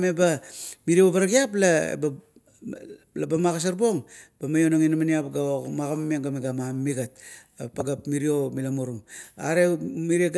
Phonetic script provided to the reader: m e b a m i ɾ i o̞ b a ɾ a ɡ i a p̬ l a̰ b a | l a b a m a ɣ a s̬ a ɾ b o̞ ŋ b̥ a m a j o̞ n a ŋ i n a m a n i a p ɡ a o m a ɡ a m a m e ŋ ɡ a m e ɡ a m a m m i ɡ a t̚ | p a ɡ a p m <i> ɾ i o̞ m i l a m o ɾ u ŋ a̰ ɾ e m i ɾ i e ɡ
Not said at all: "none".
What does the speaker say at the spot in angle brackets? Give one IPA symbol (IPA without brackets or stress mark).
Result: i